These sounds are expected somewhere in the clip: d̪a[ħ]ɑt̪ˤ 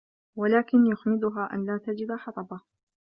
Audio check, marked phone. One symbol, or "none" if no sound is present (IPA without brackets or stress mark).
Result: ħ